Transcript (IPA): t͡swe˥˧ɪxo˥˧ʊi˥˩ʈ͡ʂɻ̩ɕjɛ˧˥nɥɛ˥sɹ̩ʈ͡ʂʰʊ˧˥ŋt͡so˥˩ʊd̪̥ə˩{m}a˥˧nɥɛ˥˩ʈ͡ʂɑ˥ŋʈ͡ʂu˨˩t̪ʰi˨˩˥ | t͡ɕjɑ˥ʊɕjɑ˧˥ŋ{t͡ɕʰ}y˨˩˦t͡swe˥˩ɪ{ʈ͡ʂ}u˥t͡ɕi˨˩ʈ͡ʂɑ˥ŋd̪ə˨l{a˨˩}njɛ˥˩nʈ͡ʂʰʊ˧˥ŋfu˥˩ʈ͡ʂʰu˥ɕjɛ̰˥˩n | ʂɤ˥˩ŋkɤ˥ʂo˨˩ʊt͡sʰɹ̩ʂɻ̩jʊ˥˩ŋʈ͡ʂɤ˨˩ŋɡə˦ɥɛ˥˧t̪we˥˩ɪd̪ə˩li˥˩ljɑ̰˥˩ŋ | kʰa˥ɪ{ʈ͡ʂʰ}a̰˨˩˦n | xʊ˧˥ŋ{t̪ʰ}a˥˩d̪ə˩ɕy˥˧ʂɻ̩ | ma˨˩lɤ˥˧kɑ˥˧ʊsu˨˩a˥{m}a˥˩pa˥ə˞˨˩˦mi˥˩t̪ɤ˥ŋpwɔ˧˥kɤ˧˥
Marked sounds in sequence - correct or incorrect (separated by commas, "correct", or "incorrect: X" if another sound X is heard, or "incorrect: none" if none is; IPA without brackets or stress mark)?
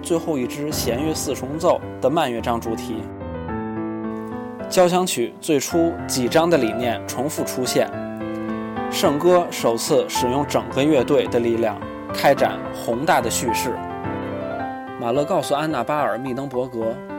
correct, correct, incorrect: ʈ͡ʂʰ, incorrect: i˨˩, incorrect: ʈ͡ʂ, incorrect: t̪, incorrect: n